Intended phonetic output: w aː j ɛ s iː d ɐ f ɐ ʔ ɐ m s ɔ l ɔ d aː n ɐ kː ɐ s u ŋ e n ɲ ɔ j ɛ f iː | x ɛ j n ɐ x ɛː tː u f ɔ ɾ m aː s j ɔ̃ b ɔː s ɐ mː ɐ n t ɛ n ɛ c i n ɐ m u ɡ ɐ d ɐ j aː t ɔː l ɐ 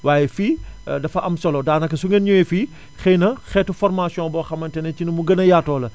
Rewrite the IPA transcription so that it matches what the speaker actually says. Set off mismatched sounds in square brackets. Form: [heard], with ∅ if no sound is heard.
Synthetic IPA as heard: w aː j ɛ [f] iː d ɐ f ɐ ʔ ɐ m s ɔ l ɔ d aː n ɐ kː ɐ s u ŋ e n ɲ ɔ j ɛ f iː | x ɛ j n ɐ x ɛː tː u f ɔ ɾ m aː s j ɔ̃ b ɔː [x] ɐ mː ɐ n t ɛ n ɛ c i n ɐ m u ɡ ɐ [n] ɐ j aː t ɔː l ɐ

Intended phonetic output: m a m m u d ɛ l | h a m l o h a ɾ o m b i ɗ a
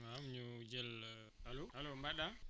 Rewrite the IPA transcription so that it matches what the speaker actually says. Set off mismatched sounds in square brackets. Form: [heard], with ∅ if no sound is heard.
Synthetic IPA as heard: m a m [ɲ] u [d͡ʒ] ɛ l | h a [∅] l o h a [l] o m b [a] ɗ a

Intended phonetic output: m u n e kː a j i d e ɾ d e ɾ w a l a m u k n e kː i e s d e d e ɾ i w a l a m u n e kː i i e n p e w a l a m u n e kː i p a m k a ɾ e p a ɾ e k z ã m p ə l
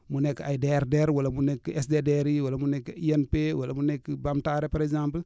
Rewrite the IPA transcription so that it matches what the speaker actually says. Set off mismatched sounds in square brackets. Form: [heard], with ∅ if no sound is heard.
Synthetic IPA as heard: m u n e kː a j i d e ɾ d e ɾ w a l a m u [∅] n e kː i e s d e d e ɾ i w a l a m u n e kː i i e n p e w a l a m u n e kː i [b] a m [t] a ɾ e p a ɾ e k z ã m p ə l

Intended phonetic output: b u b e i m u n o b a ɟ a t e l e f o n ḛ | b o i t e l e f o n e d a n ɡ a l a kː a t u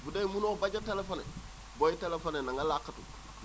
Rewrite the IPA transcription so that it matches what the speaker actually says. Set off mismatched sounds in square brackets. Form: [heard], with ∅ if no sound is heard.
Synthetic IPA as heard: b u [d] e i m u n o b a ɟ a t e l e f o n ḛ | b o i t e l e f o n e [n] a [ŋ] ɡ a l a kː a t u

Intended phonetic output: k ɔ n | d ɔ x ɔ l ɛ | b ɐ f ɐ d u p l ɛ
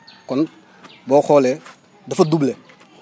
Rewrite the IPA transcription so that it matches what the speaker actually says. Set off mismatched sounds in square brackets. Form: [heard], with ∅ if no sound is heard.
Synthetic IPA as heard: k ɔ n | [b] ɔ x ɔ l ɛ | [d] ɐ f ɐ d u [b] l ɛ

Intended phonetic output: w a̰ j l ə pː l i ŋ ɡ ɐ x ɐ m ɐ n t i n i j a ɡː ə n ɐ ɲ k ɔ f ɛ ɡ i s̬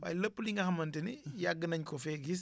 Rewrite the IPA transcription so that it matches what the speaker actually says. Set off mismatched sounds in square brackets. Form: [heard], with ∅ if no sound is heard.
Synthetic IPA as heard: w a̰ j l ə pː l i ŋ ɡ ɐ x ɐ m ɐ n t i n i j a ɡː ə n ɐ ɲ k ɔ f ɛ ɡ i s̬

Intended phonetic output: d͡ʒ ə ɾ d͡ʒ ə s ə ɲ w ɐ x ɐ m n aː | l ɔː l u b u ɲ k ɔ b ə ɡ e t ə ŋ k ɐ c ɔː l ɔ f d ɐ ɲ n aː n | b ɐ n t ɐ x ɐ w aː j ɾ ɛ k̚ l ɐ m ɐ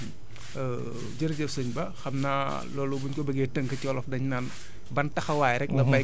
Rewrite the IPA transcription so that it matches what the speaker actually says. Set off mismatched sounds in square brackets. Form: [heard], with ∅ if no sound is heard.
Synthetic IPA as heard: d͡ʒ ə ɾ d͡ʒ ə s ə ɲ [b] ɐ x ɐ m n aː | l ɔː l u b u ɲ k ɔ b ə ɡ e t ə ŋ k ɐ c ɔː l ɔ f d ɐ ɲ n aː n | b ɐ n t ɐ x ɐ w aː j ɾ ɛ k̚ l ɐ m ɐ

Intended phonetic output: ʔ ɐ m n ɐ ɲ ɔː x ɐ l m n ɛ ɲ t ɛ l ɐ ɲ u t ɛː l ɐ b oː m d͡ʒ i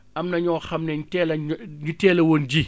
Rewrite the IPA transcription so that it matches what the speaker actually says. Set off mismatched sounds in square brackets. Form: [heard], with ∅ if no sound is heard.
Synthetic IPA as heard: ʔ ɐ m n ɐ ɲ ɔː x ɐ [∅] m n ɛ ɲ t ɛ l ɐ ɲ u t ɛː l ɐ [w] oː [n] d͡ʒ i

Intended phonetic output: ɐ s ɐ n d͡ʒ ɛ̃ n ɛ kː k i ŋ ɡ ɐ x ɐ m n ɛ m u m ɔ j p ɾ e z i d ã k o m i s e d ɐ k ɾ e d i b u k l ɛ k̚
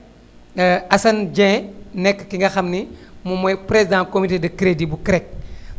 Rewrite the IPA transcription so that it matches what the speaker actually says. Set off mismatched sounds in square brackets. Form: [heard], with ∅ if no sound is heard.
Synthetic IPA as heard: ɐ s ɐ n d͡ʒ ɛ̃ n ɛ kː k i ŋ ɡ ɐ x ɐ m n [i] m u m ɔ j p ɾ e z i d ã k o m i [t] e d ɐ k ɾ e d i b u k [ɾ] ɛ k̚

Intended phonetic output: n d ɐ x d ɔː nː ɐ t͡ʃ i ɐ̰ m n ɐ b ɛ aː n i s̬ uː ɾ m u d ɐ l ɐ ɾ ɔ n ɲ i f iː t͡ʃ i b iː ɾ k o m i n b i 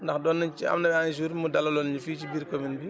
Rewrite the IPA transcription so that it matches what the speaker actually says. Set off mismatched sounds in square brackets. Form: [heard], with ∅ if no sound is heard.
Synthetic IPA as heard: n d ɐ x d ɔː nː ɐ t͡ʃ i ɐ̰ m n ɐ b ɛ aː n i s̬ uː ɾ m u d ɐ l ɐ [l] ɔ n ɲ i f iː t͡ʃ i b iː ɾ k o m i n b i

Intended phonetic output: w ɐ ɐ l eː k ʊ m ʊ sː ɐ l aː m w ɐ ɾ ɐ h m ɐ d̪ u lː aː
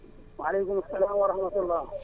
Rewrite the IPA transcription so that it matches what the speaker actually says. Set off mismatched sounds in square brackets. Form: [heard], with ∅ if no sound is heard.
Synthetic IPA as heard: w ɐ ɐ l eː k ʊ m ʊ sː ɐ l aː m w ɐ ɾ ɐ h m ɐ [t̪] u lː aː

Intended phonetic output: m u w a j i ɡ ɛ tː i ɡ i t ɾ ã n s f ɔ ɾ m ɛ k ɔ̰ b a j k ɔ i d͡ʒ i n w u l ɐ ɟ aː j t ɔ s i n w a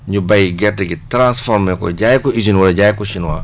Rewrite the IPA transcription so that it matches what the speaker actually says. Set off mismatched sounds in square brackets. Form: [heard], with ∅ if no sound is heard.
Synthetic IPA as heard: [ɲ] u [b] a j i ɡ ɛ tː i ɡ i t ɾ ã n s f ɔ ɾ m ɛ k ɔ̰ [ɟ] a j k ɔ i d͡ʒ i n w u l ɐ ɟ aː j [k] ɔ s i n w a

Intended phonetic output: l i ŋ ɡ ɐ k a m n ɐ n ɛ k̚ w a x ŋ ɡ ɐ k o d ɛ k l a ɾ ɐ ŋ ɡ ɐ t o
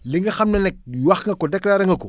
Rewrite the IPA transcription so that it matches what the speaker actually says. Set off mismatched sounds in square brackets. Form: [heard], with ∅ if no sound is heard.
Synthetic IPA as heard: l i ŋ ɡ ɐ [x] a m n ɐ n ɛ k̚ w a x ŋ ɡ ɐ k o d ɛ k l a ɾ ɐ ŋ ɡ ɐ [k] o

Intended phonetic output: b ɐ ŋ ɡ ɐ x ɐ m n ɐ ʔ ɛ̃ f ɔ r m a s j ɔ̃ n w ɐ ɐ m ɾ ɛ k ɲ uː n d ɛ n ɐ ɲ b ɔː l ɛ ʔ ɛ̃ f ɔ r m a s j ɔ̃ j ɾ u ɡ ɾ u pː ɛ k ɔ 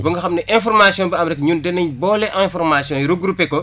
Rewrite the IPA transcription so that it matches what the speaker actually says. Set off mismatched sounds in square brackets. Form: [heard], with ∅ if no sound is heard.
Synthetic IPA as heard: b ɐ ŋ ɡ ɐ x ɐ m n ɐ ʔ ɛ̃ f ɔ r m a s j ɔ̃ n [b] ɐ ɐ m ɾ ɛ k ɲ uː n d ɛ n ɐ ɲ b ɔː l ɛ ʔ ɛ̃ f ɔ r m a s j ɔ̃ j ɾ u ɡ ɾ u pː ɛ k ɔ

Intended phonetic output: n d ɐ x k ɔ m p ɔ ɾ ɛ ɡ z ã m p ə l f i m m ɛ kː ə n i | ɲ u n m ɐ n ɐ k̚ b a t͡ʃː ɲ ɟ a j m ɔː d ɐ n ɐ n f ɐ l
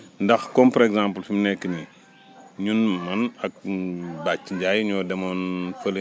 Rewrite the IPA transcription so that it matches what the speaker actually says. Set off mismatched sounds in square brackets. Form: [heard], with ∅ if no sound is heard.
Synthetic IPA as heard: n d ɐ x k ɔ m p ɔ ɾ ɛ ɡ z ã m p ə l f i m [n] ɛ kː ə n i | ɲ u n m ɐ n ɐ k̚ b a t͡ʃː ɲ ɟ a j [ɲ] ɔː d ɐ [m] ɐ n f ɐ l

